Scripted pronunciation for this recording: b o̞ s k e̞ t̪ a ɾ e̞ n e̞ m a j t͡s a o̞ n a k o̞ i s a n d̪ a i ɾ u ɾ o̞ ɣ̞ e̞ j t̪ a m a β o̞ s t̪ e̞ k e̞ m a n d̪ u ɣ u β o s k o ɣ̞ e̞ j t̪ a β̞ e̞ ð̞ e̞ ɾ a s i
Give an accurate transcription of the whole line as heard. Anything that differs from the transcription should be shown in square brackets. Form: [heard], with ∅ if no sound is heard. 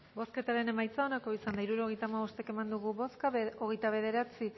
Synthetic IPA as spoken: b o̞ s k e̞ t̪ a ɾ e̞ n e̞ m a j t͡s a o̞ n a k o̞ i s a n d̪ a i ɾ u ɾ o̞ ɣ̞ e̞ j t̪ a m a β o̞ s t̪ e̞ k e̞ m a n d̪ u ɣ u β o s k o ɣ̞ e̞ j t̪ a β̞ e̞ ð̞ e̞ ɾ a [t͡s] i